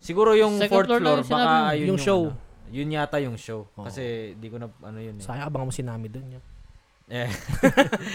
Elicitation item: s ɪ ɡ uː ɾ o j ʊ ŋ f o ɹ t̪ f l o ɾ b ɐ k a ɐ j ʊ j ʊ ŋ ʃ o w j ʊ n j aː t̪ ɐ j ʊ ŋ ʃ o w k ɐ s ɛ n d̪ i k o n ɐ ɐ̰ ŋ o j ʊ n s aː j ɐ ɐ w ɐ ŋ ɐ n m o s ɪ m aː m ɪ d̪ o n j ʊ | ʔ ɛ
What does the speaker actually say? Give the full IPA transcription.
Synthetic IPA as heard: s ɪ ɡ uː ɾ o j ʊ ŋ f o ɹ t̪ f l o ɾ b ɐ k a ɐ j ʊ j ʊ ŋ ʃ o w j ʊ n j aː t̪ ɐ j ʊ ŋ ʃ o w k ɐ s ɛ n d̪ i k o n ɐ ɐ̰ n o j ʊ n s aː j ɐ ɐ b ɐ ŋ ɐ m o s ɪ n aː m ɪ d̪ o n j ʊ | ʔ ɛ